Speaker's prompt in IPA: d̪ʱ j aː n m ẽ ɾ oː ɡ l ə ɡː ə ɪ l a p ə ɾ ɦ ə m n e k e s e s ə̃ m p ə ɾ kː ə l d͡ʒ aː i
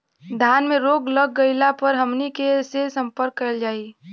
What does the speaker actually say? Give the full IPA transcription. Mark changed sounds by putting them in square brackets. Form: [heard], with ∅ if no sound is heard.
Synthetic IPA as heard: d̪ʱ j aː n m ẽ ɾ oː ɡ l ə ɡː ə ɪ l a p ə ɾ ɦ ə m n [i] k e s e s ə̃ m p ə ɾ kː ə l d͡ʒ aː i